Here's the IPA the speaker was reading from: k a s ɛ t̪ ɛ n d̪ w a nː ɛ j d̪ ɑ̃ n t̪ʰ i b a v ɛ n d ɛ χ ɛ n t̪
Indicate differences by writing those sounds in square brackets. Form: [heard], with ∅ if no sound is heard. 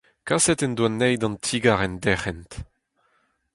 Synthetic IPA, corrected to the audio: k a s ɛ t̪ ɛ n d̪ w a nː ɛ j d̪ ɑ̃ n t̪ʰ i [ɡ] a [ʁ] ɛ n d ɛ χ ɛ n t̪